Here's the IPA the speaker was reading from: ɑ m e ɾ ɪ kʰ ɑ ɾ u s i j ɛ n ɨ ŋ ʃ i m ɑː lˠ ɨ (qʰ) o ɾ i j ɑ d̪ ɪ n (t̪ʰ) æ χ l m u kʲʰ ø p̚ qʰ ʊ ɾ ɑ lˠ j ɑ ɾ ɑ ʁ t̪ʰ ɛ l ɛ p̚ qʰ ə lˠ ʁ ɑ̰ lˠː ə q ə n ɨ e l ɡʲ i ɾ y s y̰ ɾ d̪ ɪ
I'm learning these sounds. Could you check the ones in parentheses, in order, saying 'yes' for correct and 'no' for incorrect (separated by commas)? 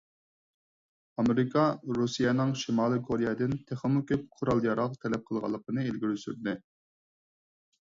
no, yes